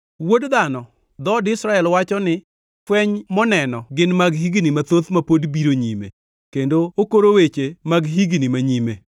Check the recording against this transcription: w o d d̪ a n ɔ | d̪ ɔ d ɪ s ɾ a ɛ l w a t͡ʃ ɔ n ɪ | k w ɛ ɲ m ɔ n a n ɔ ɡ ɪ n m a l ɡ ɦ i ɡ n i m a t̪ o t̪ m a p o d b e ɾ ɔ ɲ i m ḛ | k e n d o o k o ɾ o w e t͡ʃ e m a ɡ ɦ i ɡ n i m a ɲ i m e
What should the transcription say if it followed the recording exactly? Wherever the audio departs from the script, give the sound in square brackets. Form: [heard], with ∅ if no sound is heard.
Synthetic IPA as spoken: w o d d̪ a n ɔ | d̪ ɔ d ɪ s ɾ a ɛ l w a t͡ʃ ɔ n ɪ | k w ɛ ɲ m ɔ n [ɛ] n ɔ ɡ ɪ n m a [∅] ɡ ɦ i ɡ n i m a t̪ o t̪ m a p o d b [i] ɾ [o] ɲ i m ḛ | k e n d o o k o ɾ o w e t͡ʃ e m a ɡ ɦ i ɡ n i m a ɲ i m e